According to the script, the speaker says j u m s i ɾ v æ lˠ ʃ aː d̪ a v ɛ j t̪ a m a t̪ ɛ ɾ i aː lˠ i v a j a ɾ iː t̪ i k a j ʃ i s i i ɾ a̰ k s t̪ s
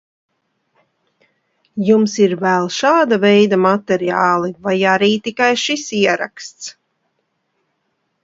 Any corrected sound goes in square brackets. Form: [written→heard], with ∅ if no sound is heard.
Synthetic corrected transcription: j u m s i ɾ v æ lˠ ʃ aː d̪ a v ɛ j [t̪→d̪] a m a t̪ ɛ ɾ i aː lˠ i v a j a ɾ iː t̪ i k a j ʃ i s i [i→ɛ] ɾ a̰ k s t̪ s